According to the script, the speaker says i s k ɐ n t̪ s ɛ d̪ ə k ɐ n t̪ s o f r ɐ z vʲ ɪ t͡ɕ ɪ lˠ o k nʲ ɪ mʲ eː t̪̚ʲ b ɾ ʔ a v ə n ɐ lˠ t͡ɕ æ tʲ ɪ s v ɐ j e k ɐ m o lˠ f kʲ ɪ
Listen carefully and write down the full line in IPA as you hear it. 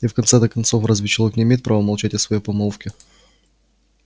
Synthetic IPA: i f k ɐ n t̪ s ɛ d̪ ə k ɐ n t̪ s o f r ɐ z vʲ ɪ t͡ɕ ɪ lˠ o k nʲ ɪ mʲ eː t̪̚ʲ p ɾ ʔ a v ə m ɐ lˠ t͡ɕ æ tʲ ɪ s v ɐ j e p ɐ m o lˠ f kʲ ɪ